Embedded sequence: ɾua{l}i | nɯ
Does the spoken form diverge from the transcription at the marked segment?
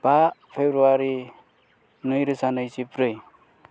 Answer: yes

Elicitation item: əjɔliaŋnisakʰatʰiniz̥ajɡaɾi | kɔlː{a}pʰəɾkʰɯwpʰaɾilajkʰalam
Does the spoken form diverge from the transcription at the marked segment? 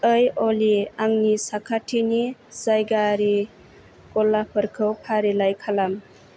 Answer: no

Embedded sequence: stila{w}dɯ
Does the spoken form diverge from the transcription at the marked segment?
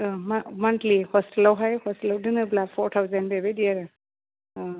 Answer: no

